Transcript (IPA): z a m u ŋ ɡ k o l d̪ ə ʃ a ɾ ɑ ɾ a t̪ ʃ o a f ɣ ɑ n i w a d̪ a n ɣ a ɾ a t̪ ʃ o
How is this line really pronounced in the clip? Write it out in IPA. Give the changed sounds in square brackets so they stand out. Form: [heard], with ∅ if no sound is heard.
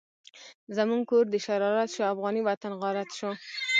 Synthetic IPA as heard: z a m u ŋ ɡ k o [ɾ] d̪ ə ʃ a ɾ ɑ ɾ a t̪ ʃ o a f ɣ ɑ n i w a [t̪] a n ɣ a ɾ a t̪ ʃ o